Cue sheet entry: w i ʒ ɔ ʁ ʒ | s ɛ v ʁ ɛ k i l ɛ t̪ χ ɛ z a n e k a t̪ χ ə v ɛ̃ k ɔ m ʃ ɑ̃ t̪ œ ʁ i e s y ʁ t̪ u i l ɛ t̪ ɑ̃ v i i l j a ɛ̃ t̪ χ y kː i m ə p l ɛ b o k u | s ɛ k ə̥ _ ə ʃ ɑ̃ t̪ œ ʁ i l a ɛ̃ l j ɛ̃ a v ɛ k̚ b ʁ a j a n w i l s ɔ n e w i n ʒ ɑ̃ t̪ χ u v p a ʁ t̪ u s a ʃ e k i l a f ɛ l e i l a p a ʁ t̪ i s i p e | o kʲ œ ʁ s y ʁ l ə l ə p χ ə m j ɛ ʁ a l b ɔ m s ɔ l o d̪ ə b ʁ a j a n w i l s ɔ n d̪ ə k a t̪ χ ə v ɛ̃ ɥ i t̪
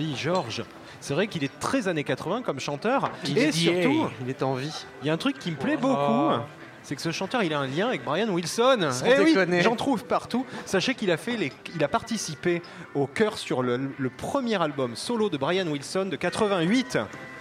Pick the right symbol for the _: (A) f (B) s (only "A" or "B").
B